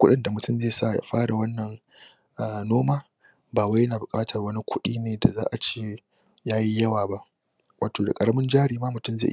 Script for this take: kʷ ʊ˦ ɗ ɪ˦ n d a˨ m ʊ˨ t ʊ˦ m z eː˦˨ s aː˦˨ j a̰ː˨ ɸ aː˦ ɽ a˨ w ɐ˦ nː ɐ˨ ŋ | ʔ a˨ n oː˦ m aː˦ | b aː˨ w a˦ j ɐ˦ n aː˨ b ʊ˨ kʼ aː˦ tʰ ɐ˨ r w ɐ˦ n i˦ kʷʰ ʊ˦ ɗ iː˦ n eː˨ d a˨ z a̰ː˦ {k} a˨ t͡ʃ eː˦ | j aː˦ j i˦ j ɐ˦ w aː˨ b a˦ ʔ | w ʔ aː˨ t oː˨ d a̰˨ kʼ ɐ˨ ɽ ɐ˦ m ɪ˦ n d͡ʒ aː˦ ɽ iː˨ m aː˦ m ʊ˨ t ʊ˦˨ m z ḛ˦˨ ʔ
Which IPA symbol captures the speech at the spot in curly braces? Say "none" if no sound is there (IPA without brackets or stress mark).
ʔ